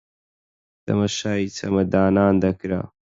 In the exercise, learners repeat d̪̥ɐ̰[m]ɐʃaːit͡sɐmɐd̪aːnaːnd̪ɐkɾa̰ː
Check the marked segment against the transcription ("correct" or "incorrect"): correct